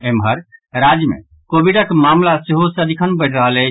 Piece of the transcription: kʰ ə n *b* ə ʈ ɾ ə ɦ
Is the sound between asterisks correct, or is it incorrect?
correct